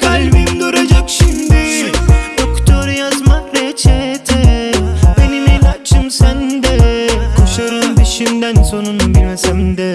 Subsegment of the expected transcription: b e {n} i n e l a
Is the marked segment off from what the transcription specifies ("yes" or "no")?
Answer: no